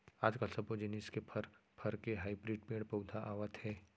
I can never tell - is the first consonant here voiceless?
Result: no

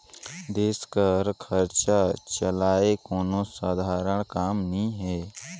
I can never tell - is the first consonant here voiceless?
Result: no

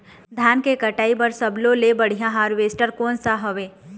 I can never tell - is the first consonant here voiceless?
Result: no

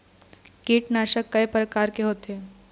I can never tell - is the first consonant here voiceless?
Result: yes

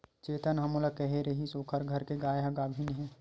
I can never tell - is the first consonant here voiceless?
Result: yes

